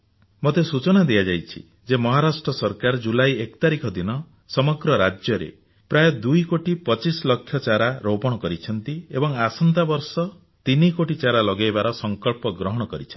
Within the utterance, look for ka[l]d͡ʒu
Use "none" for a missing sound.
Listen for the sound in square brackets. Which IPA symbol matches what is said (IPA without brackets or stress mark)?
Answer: ɾ